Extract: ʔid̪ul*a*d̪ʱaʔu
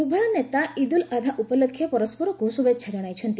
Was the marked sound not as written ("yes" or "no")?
no